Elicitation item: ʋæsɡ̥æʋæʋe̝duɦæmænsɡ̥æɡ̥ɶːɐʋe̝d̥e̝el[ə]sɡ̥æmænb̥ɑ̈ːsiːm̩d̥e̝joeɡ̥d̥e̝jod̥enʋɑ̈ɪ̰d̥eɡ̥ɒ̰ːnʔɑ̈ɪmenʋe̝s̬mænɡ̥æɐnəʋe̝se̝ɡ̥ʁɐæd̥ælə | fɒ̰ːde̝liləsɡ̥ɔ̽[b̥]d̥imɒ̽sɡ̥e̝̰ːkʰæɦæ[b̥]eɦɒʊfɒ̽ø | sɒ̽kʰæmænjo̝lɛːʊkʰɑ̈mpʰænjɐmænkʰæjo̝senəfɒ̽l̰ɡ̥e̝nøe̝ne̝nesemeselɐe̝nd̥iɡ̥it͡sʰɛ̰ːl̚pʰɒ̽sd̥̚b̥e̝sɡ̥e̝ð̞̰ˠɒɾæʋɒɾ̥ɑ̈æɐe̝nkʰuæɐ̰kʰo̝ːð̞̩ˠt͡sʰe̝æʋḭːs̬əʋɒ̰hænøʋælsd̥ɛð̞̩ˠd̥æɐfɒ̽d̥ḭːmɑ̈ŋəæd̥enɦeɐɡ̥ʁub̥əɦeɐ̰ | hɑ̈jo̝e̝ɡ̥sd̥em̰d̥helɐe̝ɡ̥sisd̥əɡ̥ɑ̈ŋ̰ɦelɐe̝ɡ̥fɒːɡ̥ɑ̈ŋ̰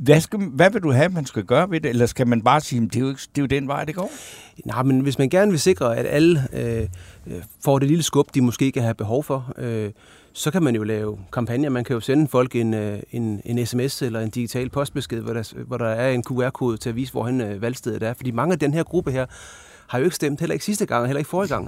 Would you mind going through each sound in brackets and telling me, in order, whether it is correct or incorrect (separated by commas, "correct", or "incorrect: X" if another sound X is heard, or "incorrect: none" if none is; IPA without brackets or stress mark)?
incorrect: ɐ, correct, correct